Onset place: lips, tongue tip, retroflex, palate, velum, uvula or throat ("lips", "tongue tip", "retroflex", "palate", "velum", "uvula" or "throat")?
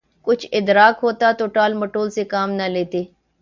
velum